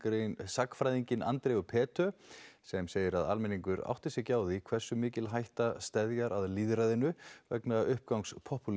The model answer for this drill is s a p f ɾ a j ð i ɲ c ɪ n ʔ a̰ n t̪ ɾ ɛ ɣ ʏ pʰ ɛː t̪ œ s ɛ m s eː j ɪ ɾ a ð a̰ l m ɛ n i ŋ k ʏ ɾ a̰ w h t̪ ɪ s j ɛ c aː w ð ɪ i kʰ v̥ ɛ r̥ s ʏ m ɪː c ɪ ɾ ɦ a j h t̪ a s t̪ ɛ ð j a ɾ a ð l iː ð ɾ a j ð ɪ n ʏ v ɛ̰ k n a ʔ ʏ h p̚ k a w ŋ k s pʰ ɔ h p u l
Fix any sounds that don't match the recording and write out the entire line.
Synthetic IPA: s a k f ɾ a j ð i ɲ c ɪ n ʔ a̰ n t̪ ɾ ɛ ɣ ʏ pʰ ɛː t̪ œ s ɛ m s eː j ɪ ɾ a ð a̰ l m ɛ n i ŋ k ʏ ɾ a̰ w h t̪ ɪ s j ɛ c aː w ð ɪ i kʰ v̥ ɛ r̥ s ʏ m ɪː c ɪ l ɦ a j h t̪ a s t̪ ɛ ð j a ɾ a ð l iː ð ɾ a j ð ɪ n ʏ v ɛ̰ k n a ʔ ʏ h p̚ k a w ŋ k s pʰ ɔ h p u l